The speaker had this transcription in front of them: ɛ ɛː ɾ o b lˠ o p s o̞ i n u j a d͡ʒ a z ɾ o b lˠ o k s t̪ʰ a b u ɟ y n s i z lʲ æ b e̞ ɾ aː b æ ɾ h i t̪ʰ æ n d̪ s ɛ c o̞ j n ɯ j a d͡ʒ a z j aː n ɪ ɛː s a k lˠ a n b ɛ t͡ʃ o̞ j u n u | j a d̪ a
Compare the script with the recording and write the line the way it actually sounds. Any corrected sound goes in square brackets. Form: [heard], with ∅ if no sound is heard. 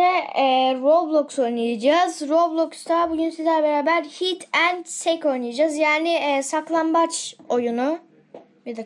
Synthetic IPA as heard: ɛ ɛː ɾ o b lˠ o [k] s o̞ [j] n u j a d͡ʒ a z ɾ o b lˠ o k s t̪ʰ a b u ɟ y n s i z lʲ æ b e̞ ɾ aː b æ ɾ h i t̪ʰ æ n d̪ s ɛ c o̞ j n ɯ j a d͡ʒ a z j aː n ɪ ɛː s a k lˠ a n b [a] t͡ʃ o̞ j u n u | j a d̪ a

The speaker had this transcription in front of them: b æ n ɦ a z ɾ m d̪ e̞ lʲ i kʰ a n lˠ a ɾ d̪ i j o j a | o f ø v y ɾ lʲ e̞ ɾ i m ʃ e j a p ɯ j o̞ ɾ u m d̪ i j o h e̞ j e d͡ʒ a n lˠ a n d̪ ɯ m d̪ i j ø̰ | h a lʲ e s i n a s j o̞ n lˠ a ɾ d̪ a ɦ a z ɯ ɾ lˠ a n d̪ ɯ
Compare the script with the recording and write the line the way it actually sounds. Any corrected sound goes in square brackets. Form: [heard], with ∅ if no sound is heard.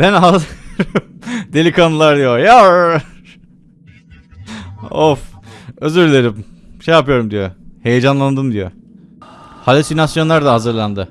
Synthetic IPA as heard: b æ n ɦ a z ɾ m d̪ e̞ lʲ i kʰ a n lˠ a ɾ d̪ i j o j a | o f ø [z] y ɾ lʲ e̞ ɾ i m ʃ e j a p ɯ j o̞ ɾ u m d̪ i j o h e̞ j e d͡ʒ a n lˠ a n d̪ ɯ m d̪ i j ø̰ | h a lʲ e s i n a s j o̞ n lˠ a ɾ d̪ a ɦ a z ɯ ɾ lˠ a n d̪ ɯ

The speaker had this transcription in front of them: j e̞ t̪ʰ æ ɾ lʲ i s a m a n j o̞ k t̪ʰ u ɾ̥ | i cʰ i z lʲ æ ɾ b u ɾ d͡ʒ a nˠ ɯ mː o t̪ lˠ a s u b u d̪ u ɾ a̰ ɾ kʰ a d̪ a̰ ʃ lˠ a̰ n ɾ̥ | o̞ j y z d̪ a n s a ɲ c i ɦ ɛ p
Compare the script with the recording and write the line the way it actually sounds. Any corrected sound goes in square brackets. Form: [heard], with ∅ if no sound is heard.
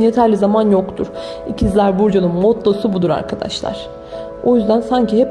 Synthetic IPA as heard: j e̞ t̪ʰ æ ɾ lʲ i [z] a m a n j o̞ k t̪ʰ u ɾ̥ | i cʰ i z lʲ æ ɾ b u ɾ d͡ʒ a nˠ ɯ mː o t̪ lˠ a s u b u d̪ u ɾ a̰ ɾ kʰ a d̪ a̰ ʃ lˠ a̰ [∅] ɾ̥ | o̞ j y z d̪ [æ] n s a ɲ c i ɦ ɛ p

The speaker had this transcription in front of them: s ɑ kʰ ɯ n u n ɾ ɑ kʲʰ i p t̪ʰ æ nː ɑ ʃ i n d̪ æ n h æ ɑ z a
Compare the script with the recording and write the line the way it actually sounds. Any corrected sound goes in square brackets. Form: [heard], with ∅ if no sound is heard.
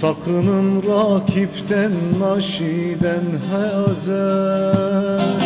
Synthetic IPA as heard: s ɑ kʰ ɯ n [ɯ] n ɾ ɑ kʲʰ i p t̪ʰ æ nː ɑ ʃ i [∅] d̪ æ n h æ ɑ z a

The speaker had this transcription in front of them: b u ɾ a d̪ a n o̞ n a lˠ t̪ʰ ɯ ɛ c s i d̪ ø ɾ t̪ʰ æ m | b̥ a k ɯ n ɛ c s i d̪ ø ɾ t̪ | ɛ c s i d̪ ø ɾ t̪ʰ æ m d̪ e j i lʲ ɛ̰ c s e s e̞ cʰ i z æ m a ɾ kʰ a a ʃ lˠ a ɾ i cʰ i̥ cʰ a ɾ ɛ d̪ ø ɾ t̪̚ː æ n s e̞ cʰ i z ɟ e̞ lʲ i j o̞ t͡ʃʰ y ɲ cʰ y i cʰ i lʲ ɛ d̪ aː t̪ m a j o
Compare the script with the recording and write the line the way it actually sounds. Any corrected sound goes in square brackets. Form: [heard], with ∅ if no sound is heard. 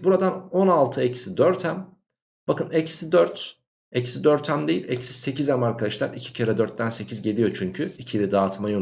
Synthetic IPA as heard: b u ɾ a d̪ a n o̞ n a lˠ t̪ʰ ɯ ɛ c s i d̪ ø ɾ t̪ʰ æ m | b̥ a k ɯ n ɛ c s i d̪ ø ɾ t̪ | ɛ c s i d̪ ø ɾ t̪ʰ æ m d̪ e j i lʲ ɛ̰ c s [i] s e̞ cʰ i z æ m a ɾ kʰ a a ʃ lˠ a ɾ i cʰ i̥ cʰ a ɾ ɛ d̪ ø ɾ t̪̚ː æ n s e̞ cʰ i z ɟ e̞ lʲ i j o̞ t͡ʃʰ y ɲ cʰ y i cʰ i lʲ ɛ d̪ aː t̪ m a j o

